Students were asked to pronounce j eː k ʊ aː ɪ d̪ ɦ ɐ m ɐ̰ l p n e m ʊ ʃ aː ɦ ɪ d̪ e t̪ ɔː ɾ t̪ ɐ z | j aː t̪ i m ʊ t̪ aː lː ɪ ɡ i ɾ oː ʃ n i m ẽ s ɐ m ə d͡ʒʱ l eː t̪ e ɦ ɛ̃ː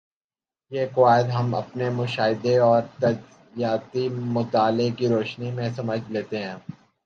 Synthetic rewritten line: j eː k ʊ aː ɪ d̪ ɦ ɐ m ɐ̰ p n e m ʊ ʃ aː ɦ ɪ d̪ e ɔː ɾ t̪ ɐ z | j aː t̪ i m ʊ t̪ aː l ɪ k i ɾ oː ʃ n i m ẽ s ɐ m ə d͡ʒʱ l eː t̪ e ɦ ɛ̃ː